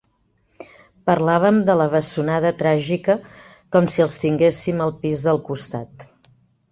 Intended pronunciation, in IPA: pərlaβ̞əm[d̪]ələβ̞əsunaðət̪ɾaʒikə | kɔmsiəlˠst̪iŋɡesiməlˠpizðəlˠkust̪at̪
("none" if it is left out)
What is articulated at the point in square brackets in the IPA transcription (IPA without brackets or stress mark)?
d̪